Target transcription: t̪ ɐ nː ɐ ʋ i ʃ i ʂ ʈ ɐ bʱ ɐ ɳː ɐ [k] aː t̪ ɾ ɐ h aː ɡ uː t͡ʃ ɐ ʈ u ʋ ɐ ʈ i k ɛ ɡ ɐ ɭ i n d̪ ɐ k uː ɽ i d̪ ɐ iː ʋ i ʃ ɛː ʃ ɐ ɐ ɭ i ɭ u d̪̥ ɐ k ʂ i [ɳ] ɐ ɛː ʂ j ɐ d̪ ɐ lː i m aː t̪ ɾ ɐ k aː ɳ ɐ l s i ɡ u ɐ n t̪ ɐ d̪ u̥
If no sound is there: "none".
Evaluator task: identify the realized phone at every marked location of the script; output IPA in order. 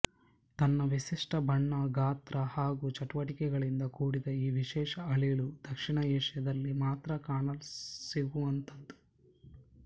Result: ɡ, ɳ

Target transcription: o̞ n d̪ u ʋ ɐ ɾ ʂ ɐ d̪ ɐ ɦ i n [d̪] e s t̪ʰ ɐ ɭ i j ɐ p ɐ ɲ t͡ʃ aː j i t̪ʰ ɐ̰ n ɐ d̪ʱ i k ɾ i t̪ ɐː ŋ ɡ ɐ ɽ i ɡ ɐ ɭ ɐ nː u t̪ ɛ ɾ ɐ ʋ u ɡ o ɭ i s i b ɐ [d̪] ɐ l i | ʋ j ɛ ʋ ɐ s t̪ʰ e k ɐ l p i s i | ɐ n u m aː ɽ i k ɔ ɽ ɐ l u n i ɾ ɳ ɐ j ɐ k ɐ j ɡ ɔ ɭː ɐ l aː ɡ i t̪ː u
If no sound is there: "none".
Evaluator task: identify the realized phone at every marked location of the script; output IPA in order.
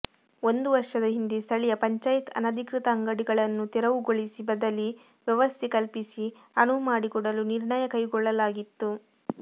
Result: d̪, d̪

